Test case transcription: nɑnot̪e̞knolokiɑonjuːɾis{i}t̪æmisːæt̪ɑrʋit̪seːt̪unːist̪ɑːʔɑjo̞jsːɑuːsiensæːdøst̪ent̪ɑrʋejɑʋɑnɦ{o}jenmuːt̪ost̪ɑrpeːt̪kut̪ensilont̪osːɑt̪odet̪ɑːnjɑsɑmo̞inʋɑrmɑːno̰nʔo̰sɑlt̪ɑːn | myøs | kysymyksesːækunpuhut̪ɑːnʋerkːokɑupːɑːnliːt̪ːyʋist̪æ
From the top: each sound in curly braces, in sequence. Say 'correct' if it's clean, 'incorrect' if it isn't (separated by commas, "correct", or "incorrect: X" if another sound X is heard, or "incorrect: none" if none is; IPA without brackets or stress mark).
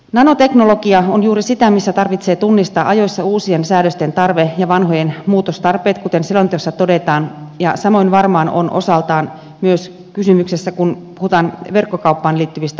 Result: correct, correct